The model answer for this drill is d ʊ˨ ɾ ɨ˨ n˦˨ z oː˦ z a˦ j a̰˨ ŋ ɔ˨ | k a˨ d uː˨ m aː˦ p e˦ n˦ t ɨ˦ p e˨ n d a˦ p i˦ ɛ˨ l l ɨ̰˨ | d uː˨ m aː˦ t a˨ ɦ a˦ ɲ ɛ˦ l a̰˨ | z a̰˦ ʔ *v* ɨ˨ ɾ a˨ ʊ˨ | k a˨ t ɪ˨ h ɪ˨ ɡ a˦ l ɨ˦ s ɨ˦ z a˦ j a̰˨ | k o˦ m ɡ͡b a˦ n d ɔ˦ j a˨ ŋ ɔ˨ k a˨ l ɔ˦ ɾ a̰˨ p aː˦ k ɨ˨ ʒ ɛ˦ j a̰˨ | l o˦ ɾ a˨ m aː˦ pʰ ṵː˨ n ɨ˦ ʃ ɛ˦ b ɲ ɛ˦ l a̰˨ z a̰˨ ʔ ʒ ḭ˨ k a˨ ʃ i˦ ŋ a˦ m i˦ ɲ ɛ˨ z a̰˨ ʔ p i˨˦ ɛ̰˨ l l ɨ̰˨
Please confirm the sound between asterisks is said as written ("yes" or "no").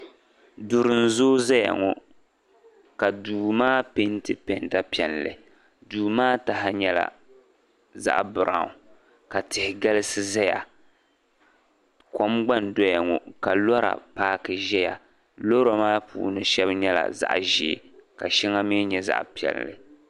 no